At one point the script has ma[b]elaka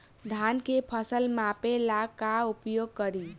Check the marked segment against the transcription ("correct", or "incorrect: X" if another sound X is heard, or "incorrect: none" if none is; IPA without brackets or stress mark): incorrect: p